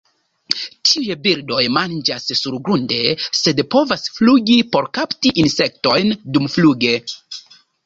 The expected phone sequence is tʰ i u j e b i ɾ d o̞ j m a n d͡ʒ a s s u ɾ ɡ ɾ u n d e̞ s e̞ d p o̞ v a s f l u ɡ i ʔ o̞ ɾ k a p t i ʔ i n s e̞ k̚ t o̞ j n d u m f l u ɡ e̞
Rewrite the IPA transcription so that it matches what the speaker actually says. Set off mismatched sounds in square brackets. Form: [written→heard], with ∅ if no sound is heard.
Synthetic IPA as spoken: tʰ i u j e b i ɾ d o̞ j m a n d͡ʒ a s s u ɾ ɡ ɾ u n d e̞ s e̞ d p o̞ v a s f l u ɡ i [ʔ→p] o̞ ɾ k a p t i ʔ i n s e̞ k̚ t o̞ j n d u m f l u ɡ e̞